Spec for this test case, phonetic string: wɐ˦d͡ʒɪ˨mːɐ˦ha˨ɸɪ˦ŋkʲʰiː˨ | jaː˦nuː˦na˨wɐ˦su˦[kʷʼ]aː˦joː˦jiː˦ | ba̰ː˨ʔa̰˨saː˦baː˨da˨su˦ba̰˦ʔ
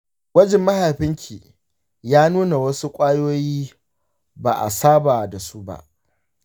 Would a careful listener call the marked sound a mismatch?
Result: no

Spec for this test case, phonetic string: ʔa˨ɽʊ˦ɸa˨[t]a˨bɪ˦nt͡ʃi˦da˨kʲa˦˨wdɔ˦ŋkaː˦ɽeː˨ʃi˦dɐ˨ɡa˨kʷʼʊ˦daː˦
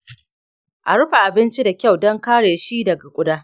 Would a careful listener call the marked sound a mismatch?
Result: yes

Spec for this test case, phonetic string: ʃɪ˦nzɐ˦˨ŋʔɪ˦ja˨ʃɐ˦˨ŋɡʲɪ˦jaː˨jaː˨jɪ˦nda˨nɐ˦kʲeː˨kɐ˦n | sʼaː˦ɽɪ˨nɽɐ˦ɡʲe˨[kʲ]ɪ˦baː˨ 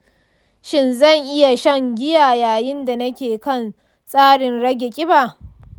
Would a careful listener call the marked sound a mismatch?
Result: yes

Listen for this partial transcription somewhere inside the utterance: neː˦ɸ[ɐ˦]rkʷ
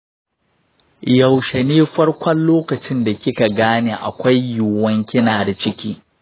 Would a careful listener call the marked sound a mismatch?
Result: no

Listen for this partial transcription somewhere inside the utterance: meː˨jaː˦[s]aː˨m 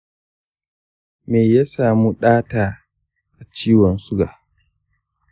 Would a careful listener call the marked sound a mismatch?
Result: no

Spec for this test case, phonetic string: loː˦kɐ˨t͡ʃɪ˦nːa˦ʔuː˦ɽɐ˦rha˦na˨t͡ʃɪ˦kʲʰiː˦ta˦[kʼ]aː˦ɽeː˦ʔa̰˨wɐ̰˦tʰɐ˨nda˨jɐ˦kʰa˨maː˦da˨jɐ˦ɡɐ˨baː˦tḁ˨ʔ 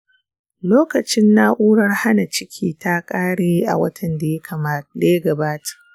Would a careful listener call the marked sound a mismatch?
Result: no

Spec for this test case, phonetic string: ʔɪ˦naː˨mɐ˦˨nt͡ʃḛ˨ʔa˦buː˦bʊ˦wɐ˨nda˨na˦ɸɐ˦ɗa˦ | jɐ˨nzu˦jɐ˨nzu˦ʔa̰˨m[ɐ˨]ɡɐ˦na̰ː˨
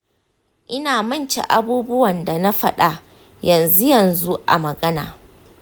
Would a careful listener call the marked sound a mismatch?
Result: no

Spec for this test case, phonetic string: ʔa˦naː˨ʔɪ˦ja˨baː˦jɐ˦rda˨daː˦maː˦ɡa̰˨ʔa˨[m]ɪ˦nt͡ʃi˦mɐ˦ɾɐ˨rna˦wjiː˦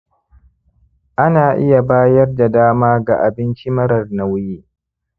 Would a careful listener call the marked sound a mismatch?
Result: yes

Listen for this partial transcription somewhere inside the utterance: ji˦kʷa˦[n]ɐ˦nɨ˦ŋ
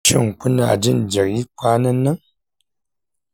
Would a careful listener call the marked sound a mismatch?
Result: no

